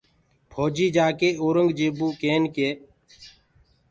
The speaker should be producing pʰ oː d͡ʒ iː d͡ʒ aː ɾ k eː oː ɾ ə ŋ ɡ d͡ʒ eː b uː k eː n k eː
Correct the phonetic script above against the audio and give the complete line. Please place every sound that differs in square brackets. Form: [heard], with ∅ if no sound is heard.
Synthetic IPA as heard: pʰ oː d͡ʒ iː d͡ʒ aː [∅] k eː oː ɾ ə ŋ ɡ d͡ʒ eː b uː k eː n k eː